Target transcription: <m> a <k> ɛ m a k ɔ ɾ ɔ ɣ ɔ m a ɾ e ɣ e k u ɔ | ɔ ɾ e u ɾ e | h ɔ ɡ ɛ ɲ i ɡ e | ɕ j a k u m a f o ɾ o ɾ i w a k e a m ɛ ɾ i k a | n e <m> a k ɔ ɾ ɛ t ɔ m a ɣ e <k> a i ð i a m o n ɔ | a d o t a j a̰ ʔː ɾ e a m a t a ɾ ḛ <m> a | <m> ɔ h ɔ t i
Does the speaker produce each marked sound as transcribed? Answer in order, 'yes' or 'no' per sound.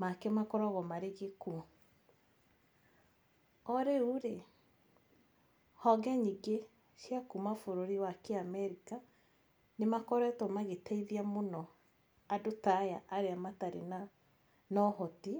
yes, yes, yes, no, no, no

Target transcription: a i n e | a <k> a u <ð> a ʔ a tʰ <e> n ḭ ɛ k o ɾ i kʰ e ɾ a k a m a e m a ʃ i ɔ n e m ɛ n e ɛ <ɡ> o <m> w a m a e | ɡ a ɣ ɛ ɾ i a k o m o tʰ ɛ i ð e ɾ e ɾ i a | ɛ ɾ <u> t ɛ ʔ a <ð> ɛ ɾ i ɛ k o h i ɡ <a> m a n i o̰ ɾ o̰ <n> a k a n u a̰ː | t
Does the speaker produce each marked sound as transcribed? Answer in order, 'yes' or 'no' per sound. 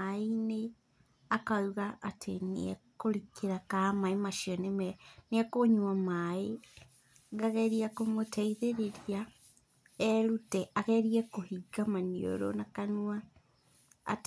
yes, no, yes, no, no, yes, no, yes, yes

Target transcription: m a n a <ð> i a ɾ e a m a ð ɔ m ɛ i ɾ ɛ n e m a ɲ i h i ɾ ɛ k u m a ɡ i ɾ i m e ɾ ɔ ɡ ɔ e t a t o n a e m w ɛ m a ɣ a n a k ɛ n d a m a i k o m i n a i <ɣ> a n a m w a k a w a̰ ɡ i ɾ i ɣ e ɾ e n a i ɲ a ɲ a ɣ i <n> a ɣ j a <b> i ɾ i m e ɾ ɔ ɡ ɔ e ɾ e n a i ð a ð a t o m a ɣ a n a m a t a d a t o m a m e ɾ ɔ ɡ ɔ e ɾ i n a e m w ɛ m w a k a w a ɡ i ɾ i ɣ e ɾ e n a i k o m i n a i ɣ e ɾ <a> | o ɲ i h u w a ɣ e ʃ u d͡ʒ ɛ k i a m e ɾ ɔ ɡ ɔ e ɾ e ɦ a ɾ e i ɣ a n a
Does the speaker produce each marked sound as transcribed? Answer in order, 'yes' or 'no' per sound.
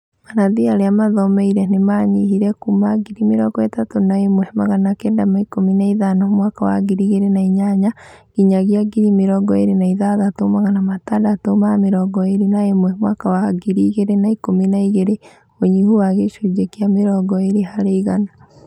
yes, no, no, no, no

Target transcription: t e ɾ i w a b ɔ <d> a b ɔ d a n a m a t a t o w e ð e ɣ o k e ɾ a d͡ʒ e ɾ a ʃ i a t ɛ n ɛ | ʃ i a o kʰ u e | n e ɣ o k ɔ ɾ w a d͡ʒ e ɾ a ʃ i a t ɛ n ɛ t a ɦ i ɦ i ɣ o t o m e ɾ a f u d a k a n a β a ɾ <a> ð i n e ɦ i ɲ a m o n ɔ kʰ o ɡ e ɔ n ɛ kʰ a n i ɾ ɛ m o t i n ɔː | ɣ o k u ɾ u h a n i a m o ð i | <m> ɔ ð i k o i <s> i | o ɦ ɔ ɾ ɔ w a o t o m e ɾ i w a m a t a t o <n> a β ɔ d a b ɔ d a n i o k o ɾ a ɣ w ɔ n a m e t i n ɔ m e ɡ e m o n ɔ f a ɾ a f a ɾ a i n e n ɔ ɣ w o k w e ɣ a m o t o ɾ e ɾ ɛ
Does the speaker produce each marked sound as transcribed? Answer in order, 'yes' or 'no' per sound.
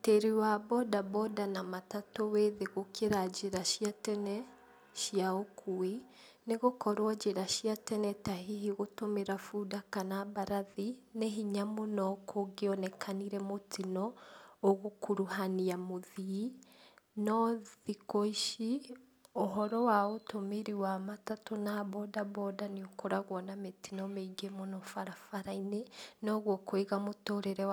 yes, yes, no, no, yes

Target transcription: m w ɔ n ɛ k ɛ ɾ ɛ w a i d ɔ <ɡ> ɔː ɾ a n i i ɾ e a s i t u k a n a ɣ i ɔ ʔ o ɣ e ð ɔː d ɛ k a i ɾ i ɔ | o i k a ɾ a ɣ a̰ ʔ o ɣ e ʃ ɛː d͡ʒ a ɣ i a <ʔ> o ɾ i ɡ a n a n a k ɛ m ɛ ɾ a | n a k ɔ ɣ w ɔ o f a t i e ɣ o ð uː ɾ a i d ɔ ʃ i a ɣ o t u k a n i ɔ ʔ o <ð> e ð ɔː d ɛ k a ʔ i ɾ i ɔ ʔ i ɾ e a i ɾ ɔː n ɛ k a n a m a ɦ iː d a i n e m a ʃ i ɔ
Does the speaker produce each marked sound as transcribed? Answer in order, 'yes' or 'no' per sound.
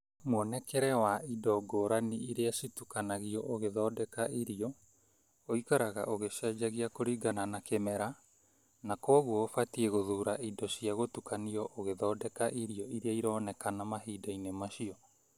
yes, no, no

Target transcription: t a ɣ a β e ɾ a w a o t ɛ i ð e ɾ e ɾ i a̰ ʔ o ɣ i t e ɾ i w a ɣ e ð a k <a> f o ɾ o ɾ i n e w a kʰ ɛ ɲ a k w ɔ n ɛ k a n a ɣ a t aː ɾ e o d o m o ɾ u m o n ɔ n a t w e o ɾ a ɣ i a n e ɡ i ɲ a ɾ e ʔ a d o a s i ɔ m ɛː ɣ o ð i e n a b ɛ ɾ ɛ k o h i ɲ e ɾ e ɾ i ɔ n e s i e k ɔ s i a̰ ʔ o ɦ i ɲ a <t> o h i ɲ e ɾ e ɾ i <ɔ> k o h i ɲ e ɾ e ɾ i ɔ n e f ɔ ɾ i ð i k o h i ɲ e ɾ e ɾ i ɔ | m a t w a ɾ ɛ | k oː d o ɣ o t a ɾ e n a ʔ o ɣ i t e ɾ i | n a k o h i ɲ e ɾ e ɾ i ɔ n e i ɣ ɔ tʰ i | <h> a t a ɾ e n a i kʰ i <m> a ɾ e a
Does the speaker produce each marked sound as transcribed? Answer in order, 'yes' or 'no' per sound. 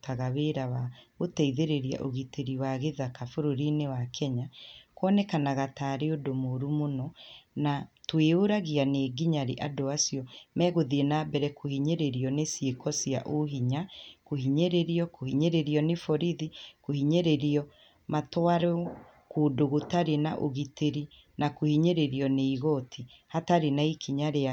yes, no, yes, yes, no

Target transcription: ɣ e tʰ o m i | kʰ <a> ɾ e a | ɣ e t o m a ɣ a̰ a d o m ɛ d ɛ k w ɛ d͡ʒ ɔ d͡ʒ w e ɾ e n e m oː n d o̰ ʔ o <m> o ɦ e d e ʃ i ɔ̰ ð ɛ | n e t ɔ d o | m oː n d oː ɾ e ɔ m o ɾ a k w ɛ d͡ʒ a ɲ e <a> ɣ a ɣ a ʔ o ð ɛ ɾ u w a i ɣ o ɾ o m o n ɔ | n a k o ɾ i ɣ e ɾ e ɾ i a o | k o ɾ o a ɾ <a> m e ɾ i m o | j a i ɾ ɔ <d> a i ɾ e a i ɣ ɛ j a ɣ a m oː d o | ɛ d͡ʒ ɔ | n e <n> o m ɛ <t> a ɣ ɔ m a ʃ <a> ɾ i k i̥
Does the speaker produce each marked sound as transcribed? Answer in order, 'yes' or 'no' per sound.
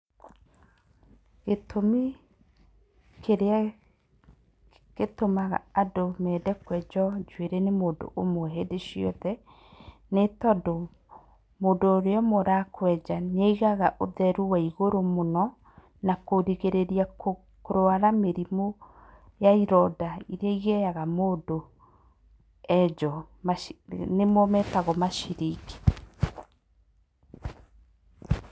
no, yes, no, yes, yes, no, yes, no

